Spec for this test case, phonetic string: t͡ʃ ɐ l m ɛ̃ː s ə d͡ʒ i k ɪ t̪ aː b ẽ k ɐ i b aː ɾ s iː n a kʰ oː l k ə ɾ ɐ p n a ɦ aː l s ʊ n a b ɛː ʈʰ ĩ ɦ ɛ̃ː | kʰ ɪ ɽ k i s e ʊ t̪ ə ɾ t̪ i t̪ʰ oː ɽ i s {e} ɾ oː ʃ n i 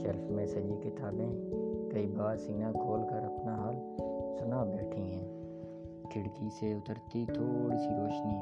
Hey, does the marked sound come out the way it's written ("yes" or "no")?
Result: no